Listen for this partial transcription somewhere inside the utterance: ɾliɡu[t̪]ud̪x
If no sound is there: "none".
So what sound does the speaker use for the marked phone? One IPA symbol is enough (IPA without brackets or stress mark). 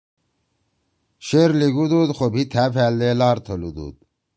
d̪